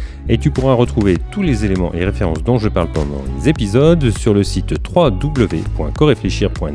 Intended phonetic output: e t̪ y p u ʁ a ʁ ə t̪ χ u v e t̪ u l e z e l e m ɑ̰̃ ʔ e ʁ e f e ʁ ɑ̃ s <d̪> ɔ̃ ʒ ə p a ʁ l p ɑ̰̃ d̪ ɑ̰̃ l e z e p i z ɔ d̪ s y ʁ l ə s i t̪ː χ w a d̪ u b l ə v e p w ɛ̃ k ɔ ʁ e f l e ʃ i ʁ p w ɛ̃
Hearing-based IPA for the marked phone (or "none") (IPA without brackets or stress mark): d̪